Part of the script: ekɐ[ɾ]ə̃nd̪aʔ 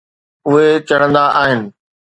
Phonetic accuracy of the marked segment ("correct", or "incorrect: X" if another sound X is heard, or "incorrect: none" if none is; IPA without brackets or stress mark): incorrect: ɽ